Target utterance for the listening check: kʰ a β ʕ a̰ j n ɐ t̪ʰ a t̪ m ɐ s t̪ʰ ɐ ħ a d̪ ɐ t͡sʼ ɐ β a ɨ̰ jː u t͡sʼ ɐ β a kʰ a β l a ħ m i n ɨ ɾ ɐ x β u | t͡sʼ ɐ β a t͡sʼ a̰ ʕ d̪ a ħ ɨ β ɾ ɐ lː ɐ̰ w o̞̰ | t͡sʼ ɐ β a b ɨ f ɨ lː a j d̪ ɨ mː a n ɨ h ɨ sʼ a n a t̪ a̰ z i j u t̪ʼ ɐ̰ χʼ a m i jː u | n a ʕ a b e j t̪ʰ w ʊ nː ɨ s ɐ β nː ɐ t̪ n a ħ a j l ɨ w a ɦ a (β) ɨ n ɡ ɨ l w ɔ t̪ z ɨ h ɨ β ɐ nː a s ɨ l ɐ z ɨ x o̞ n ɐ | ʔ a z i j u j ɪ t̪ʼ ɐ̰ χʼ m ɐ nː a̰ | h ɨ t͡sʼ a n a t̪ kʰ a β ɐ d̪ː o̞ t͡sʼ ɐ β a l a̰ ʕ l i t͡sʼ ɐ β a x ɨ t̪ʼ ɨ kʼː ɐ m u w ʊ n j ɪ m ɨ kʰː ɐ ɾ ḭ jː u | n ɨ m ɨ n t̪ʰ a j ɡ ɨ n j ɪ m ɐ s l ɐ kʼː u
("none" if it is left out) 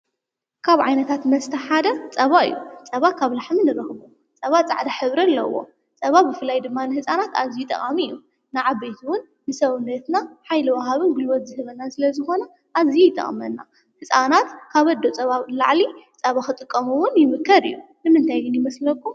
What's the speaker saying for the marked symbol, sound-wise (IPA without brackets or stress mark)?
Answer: β